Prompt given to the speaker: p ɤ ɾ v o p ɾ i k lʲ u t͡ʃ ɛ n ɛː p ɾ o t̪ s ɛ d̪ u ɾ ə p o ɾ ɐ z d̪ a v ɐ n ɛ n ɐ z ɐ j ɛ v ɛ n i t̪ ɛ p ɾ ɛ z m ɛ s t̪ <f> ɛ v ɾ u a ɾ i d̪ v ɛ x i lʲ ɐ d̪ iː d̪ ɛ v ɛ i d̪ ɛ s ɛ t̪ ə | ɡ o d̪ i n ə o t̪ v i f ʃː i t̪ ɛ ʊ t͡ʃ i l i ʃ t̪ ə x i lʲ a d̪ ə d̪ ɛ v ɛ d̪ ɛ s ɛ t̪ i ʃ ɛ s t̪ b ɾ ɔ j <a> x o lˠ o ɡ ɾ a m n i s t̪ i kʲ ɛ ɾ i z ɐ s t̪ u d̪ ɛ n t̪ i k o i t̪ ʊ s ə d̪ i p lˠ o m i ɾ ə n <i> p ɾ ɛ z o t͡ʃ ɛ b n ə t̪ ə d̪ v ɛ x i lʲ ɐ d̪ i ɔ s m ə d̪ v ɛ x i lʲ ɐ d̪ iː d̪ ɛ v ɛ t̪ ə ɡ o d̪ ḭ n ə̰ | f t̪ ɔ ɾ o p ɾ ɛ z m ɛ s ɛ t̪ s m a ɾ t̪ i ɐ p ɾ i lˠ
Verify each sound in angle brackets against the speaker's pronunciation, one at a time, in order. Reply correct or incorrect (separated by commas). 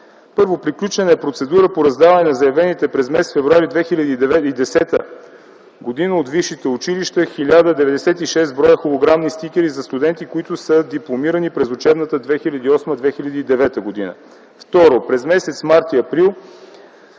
correct, incorrect, correct